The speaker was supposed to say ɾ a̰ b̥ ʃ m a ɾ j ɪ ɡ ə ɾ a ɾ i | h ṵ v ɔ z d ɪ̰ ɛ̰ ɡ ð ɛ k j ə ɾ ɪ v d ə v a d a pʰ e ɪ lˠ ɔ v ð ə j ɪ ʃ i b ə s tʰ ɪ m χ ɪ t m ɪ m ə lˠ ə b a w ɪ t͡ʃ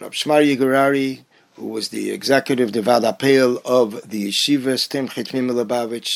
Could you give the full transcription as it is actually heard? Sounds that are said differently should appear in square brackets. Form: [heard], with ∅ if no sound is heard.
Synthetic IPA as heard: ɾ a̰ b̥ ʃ m a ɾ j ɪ ɡ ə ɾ a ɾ i | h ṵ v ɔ z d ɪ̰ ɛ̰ ɡ [z] ɛ k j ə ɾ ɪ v d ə v a d a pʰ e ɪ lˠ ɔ v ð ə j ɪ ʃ i [v] ə s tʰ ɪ m χ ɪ t m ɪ m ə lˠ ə b a [v] ɪ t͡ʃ